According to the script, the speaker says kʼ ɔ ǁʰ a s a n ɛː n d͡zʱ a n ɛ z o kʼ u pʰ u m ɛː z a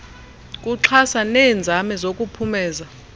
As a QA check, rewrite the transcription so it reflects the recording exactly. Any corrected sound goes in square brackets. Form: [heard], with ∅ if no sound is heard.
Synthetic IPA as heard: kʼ [u] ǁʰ a s a n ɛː n d͡zʱ a [m] ɛ z o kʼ u pʰ u m ɛː z a